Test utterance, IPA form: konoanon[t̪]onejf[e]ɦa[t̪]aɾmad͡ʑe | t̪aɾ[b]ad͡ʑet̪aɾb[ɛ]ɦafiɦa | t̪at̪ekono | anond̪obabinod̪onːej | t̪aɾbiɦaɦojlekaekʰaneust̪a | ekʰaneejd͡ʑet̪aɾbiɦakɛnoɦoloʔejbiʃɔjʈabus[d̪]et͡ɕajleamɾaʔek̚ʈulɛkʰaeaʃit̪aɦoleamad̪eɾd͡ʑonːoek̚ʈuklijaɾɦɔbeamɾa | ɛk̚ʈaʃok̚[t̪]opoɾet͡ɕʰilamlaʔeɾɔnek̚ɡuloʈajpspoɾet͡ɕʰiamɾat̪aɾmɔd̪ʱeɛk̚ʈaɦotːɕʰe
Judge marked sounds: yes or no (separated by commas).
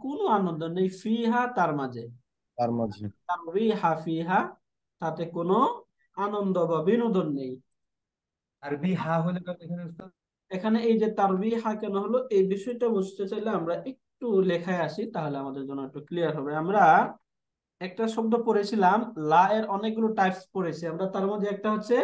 no, no, yes, no, no, no, no